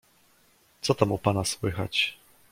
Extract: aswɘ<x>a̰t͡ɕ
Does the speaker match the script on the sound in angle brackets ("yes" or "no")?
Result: yes